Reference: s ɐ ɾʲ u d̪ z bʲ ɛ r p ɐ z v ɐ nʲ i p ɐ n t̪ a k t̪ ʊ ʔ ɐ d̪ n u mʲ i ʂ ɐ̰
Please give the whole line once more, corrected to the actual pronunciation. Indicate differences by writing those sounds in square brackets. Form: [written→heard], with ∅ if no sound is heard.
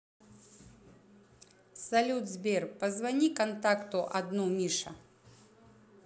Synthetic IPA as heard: s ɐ [ɾʲ→lʲ] u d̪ z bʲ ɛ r p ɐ z v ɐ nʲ i [p→k] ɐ n t̪ a k t̪ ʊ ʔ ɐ d̪ n u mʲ i ʂ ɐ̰